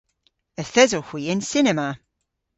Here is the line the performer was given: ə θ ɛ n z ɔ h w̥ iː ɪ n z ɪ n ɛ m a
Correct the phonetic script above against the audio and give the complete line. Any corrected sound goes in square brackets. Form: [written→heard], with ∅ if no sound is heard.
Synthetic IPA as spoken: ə θ ɛ [n→∅] z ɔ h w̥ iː ɪ n [z→s] ɪ n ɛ m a